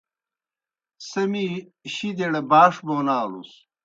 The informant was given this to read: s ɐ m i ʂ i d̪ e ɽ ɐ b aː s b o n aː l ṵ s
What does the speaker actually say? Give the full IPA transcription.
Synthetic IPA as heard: s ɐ m i ɕ i d̪ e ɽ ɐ b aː ʂ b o n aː l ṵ s